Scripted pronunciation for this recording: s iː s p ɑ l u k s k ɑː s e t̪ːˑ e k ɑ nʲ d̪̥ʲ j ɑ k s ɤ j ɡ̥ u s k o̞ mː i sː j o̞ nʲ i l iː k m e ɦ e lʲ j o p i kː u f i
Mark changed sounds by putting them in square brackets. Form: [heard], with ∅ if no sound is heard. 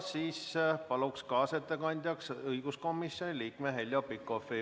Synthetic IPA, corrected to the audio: s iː s p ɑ l u k s k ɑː s e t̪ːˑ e k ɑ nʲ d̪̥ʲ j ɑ k s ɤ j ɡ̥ u s k o̞ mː i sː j o̞ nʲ i l iː k m e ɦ e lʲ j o p i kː [o] f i